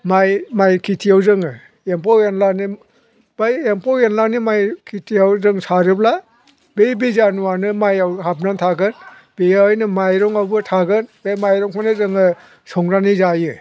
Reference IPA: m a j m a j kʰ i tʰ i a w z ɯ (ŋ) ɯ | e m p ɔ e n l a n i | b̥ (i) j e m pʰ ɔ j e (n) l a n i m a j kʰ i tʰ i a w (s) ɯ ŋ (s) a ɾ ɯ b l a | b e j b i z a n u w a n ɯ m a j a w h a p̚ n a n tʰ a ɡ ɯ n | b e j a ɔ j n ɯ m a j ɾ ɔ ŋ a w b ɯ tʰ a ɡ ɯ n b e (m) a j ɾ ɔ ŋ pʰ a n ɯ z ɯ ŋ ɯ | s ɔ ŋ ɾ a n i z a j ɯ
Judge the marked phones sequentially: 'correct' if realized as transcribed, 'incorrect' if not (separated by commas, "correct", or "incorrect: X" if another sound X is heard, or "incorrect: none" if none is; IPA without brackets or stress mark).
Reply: correct, incorrect: a, correct, incorrect: z, correct, correct